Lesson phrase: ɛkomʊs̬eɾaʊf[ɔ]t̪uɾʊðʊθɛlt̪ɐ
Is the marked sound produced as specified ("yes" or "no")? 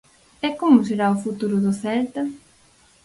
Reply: no